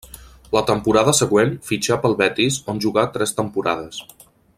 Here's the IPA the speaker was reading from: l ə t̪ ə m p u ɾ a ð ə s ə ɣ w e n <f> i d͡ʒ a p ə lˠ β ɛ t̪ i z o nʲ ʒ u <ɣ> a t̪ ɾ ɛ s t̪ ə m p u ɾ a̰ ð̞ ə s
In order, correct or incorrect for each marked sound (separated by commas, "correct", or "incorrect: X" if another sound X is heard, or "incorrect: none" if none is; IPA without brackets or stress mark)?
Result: correct, correct